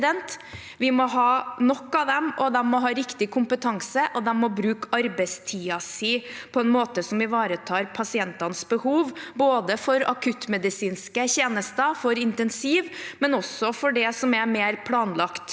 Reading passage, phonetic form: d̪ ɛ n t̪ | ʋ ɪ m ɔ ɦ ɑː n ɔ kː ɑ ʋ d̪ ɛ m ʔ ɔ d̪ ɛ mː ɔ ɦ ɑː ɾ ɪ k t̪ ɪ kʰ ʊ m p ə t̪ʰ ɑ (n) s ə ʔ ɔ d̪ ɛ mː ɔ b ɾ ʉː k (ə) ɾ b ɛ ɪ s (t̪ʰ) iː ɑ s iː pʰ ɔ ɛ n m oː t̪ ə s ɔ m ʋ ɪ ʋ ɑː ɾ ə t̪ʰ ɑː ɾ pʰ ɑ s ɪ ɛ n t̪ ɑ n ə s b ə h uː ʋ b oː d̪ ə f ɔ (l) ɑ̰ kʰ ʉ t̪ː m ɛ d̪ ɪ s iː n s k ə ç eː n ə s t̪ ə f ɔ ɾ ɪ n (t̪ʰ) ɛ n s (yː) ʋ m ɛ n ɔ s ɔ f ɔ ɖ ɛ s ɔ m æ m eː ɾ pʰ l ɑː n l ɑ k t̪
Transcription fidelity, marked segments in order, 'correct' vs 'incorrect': incorrect: ŋ, incorrect: ɑ, correct, incorrect: ɾ, incorrect: t̪, incorrect: iː

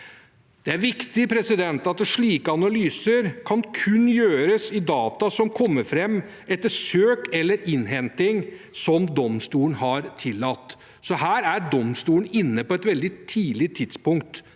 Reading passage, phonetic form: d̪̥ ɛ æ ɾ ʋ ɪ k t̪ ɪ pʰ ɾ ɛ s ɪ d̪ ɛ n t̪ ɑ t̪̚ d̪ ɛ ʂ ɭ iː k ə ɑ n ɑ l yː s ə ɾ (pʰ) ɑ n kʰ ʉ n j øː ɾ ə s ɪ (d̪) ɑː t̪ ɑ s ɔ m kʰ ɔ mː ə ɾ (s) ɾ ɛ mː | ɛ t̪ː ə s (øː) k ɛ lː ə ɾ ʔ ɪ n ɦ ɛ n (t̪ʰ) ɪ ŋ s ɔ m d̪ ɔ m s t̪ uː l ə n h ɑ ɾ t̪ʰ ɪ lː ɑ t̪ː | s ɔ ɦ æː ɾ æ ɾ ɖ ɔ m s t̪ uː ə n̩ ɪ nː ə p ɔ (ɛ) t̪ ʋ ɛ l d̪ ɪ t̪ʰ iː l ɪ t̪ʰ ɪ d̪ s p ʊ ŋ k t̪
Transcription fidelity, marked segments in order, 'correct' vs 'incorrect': incorrect: kʰ, correct, incorrect: f, correct, incorrect: t̪, correct

